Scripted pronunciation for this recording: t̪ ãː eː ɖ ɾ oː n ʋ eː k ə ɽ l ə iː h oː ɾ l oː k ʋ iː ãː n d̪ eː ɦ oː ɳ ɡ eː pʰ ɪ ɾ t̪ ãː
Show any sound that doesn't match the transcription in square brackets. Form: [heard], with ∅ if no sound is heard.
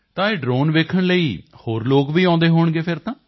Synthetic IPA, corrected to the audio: t̪ ãː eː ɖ ɾ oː n ʋ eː [kʰ] ə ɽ l ə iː h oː ɾ l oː k ʋ iː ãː n d̪ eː ɦ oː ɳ ɡ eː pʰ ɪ ɾ t̪ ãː